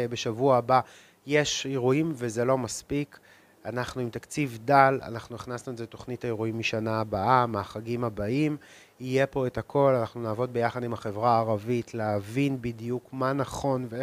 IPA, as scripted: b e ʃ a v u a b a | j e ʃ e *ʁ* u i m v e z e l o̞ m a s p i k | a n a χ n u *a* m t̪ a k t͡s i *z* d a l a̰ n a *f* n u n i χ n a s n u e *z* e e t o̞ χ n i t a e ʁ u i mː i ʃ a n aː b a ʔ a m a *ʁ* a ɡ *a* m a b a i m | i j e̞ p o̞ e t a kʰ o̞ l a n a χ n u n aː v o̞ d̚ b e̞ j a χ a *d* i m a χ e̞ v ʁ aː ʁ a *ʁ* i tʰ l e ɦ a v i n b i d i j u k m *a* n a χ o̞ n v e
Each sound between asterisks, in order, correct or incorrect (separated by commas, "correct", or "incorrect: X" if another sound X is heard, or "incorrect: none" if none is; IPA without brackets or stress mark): correct, incorrect: i, incorrect: v, incorrect: χ, correct, incorrect: χ, incorrect: i, correct, incorrect: v, correct